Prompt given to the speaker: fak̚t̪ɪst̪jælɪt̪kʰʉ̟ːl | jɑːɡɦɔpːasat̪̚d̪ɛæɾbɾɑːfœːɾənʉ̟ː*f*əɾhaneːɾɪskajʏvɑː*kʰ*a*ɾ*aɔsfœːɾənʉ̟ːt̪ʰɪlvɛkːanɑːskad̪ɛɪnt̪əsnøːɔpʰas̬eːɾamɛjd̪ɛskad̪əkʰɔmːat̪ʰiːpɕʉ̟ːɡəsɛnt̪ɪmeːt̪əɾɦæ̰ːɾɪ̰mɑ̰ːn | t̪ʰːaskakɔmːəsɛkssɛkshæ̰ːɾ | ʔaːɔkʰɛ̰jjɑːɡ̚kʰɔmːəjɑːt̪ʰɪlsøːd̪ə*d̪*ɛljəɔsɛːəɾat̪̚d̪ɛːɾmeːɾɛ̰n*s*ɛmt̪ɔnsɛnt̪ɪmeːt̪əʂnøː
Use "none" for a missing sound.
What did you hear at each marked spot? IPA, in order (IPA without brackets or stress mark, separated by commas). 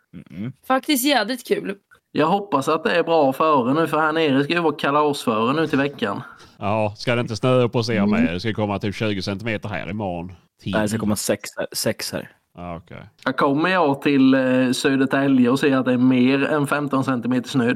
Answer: f, kʰ, l, t̪, f